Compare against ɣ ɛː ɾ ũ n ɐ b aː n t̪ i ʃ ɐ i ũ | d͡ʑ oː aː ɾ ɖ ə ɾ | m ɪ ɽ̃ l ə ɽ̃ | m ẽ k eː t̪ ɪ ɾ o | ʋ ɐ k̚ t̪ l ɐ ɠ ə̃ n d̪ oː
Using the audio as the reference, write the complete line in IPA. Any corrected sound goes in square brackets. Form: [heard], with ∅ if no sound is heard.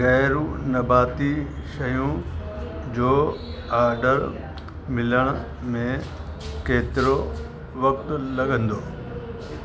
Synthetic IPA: ɣ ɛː ɾ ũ n ɐ b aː [∅] t̪ i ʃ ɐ [j] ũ | d͡ʑ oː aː ɾ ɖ ə ɾ | m ɪ [∅] l ə ɽ̃ | m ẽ k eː t̪ ɪ ɾ o | ʋ ɐ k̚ t̪ l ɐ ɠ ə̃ n d̪ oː

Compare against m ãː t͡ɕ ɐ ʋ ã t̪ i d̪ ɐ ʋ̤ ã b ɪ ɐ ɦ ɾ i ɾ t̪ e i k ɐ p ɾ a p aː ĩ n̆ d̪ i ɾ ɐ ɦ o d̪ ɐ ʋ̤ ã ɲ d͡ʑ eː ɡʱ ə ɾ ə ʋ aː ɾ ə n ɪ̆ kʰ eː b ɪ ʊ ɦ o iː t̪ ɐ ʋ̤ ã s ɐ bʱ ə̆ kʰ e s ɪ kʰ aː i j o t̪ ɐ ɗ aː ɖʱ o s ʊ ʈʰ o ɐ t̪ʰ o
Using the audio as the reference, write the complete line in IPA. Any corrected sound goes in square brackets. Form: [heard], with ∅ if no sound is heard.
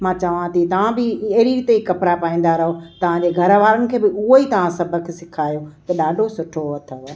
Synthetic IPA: m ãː t͡ɕ ɐ ʋ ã t̪ i [t̪] ɐ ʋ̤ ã b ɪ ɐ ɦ ɾ i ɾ t̪ e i k ɐ p ɾ a p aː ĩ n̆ d̪ [a] ɾ ɐ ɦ o [t̪] ɐ ʋ̤ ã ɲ d͡ʑ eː ɡʱ [ɐ] ɾ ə ʋ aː ɾ ə n ɪ̆ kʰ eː b ɪ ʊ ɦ o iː t̪ ɐ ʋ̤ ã s ɐ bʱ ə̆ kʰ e s ɪ kʰ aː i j o t̪ ɐ ɗ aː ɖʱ o s ʊ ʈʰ o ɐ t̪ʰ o

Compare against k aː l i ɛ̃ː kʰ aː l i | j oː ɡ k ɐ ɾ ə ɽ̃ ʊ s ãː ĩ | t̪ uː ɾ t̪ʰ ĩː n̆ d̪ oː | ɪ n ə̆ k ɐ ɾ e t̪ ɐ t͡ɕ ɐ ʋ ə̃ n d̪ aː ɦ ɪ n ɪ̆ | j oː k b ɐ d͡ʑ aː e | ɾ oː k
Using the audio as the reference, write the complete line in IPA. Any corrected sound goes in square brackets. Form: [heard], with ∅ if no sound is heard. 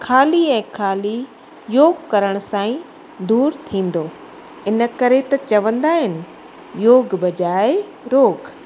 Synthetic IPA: [kʰ] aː l i ɛ̃ː kʰ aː l i | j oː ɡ k ɐ ɾ ə ɽ̃ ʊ s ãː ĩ | [d̪] uː ɾ t̪ʰ ĩː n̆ d̪ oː | ɪ n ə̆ k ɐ ɾ e t̪ ɐ t͡ɕ ɐ ʋ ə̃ n d̪ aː ɦ ɪ n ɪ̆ | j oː [ɡ] b ɐ d͡ʑ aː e | ɾ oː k

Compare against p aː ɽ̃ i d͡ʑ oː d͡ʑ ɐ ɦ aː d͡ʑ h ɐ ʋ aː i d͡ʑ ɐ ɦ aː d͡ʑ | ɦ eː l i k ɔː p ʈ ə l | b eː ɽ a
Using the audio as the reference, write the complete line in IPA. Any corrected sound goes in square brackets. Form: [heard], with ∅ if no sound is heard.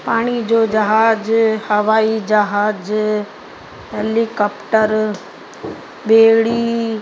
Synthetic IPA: p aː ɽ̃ i d͡ʑ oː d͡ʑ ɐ ɦ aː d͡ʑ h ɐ ʋ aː i d͡ʑ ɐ ɦ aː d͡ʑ | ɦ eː l i k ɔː p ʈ ə [ɾ] | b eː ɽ [i]

